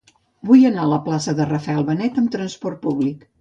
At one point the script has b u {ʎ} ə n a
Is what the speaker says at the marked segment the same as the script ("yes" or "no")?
no